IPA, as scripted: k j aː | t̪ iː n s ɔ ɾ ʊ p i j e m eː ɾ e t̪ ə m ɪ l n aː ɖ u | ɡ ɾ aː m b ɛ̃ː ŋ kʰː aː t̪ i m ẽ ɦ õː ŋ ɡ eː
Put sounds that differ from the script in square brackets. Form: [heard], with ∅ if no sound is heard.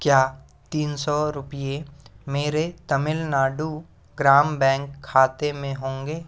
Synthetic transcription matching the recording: k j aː | t̪ iː n s ɔ ɾ ʊ p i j e m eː ɾ e t̪ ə m ɪ l n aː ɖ u | ɡ ɾ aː m b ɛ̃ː ŋ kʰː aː t̪ [e] m ẽ ɦ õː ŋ ɡ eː